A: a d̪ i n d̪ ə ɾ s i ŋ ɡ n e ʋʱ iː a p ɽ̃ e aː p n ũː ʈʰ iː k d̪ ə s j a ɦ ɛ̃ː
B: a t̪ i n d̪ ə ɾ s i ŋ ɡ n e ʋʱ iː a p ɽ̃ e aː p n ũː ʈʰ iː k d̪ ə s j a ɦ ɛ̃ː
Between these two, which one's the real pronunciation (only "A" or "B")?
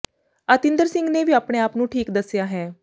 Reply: B